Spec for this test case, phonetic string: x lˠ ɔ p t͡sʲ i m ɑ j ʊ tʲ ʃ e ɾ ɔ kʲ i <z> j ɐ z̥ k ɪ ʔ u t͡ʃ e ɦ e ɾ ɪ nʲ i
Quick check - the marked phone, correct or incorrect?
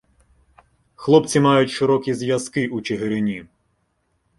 correct